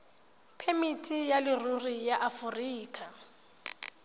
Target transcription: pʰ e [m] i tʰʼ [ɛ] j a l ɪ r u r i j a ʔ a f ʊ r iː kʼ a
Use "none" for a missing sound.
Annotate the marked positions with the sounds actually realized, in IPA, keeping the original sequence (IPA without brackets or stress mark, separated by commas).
m, i